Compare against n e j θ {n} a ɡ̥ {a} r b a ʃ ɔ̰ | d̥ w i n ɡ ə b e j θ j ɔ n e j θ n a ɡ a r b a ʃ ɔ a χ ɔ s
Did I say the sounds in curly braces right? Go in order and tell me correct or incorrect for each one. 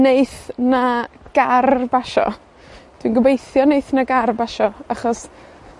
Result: correct, correct

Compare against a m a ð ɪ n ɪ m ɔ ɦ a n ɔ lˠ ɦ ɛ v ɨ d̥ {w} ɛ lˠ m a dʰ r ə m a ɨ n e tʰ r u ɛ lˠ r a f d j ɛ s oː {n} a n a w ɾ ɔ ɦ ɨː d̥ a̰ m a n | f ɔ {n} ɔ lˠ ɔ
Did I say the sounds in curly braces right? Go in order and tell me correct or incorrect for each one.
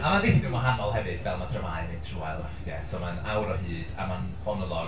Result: incorrect: v, incorrect: m, correct

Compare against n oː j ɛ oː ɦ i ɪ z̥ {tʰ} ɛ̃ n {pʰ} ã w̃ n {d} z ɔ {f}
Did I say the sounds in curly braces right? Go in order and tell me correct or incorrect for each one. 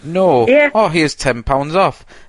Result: correct, correct, correct, correct

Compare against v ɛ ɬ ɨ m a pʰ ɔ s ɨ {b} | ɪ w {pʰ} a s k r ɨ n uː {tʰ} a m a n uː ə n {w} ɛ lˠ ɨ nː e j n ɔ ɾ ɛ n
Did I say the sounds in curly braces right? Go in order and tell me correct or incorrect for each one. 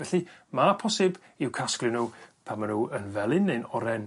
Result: correct, incorrect: kʰ, incorrect: pʰ, incorrect: v

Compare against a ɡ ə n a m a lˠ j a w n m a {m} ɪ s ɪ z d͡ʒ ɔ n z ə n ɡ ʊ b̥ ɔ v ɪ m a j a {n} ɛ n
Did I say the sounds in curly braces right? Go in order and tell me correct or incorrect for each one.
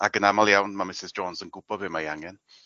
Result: correct, incorrect: ŋ

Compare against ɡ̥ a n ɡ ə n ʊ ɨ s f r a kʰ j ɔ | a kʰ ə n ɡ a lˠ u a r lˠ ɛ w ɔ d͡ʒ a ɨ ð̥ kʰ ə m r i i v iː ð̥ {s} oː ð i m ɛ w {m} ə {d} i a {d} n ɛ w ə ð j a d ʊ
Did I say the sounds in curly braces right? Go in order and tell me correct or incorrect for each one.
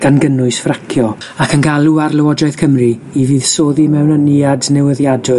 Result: correct, incorrect: n, incorrect: n, correct

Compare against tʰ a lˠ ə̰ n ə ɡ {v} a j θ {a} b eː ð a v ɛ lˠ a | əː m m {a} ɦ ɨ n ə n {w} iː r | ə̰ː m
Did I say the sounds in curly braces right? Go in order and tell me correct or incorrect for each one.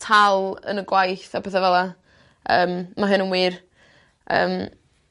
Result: incorrect: w, correct, correct, correct

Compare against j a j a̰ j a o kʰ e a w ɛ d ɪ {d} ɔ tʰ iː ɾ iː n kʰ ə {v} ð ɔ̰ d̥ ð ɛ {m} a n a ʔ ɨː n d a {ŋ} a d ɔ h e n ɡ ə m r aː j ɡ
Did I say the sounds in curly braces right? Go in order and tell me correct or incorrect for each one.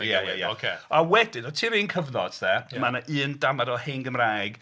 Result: incorrect: n, correct, correct, incorrect: m

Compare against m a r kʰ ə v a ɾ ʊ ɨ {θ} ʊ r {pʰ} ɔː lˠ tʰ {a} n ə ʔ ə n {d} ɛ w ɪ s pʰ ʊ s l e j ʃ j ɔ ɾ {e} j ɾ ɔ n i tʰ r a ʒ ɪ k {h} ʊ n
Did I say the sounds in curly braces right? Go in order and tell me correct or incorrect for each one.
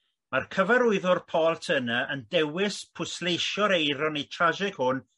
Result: incorrect: ð, correct, incorrect: ə, correct, correct, correct

